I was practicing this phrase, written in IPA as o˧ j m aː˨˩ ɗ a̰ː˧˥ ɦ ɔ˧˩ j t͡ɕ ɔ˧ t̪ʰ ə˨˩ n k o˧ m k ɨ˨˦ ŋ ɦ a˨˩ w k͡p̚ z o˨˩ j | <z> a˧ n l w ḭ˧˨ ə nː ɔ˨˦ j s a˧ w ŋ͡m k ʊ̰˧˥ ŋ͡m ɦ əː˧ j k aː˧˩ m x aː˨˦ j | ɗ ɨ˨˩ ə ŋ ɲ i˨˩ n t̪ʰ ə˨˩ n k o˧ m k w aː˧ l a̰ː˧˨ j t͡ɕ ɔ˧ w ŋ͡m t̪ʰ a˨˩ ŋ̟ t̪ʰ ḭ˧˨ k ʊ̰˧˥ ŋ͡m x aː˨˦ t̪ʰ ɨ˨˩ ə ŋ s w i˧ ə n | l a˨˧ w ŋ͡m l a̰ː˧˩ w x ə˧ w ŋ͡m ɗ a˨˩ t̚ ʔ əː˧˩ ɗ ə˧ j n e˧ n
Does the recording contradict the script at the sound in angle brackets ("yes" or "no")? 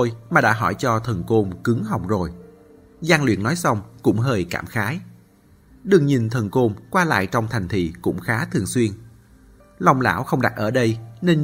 no